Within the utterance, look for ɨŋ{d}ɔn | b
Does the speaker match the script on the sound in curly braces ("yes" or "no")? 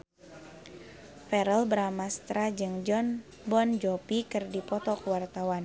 no